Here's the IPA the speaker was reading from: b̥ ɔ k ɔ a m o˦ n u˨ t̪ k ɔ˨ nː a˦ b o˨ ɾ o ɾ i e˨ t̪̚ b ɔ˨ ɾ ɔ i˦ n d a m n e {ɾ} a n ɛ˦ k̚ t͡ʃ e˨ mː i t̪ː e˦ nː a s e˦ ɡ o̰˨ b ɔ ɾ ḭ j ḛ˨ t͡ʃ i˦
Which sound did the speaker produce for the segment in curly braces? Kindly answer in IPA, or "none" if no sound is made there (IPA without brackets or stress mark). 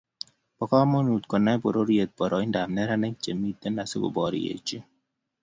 ɾ